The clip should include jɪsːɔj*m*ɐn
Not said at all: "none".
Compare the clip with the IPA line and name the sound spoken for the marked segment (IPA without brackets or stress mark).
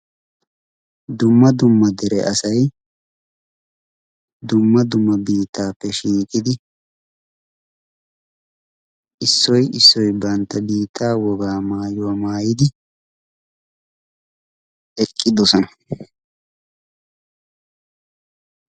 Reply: b